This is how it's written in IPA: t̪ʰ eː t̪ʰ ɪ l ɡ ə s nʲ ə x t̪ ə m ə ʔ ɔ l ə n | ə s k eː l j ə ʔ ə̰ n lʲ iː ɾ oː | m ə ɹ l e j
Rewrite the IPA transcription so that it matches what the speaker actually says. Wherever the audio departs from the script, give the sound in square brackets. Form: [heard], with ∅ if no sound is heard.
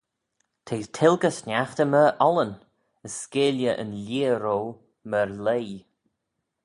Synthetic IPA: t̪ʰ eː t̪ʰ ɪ l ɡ ə s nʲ [a] x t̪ ə m ə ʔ ɔ l ə n | ə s k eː l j ə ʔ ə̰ n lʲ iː ɾ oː | m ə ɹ l e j